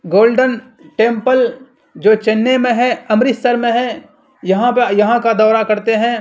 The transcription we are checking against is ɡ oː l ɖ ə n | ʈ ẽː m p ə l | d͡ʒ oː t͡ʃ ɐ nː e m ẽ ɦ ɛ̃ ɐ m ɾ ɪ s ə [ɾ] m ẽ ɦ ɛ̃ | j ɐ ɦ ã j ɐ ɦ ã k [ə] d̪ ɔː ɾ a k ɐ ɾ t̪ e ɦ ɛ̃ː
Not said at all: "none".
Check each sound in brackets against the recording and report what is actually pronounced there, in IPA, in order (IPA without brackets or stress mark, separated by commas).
ɾ, a